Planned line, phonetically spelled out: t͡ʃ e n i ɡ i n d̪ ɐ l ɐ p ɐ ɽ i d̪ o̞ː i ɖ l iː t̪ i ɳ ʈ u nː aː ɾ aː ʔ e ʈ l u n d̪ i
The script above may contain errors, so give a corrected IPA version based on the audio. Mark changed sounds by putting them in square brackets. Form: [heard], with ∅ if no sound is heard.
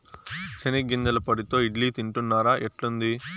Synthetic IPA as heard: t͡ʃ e n i ɡ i n d̪ ɐ l ɐ p ɐ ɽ i [t̪] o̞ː i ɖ l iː t̪ i ɳ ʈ u nː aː ɾ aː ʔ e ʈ l u n d̪ i